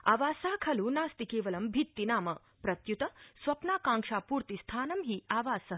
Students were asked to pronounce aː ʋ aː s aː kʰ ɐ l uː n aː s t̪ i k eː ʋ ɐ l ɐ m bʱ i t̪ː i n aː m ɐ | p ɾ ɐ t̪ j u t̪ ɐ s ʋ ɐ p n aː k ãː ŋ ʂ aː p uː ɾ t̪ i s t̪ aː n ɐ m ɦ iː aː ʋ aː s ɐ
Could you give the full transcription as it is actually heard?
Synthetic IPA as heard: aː ʋ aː s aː kʰ ɐ l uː n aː s t̪ i k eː ʋ ɐ l ɐ m bʱ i t̪ː i n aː m ɐ | p ɾ ɐ t̪ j u t̪ ɐ s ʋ ɐ p n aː k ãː ŋ ʂ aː p uː ɾ t̪ i s t̪ʰ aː n ɐ m ɦ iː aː ʋ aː s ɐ